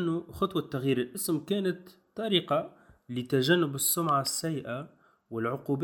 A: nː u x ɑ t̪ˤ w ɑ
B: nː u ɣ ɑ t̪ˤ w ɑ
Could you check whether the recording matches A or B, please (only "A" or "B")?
A